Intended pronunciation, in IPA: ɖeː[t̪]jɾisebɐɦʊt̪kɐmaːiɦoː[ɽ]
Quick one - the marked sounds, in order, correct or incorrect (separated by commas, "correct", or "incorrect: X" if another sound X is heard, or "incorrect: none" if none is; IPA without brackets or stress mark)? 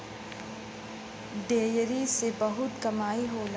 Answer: incorrect: none, incorrect: l